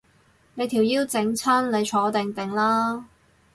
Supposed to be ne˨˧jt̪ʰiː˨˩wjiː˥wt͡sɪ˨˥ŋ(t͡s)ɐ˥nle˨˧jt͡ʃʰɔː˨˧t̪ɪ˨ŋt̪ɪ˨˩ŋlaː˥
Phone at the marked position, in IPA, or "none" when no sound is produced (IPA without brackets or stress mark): t͡sʰ